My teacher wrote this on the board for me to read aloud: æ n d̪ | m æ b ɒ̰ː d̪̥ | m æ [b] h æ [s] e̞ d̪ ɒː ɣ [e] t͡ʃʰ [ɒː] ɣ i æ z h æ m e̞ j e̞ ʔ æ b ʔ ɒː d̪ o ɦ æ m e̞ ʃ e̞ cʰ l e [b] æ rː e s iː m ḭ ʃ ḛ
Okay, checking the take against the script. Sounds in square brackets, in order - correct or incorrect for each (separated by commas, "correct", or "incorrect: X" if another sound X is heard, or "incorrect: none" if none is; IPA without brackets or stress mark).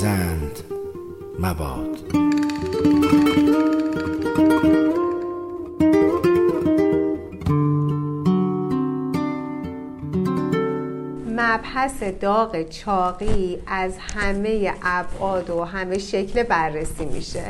correct, correct, correct, correct, correct